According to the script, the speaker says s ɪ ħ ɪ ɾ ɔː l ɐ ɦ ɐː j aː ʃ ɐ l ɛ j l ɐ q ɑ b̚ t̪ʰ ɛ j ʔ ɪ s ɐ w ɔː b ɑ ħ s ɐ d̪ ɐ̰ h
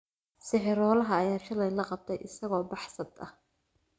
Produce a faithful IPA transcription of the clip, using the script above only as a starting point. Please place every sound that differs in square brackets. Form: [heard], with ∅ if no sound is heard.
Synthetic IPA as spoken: s ɪ ħ ɪ ɾ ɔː l ɐ ɦ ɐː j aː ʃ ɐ l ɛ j l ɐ q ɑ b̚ t̪ʰ ɛ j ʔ ɪ s ɐ [ɣ] ɔː b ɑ ħ s ɐ d̪ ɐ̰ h